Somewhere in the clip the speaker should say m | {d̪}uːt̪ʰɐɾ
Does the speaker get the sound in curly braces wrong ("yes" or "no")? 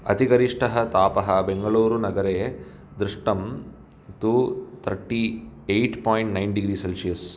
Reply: yes